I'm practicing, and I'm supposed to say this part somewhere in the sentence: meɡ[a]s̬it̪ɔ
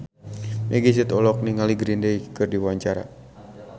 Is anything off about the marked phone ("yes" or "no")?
yes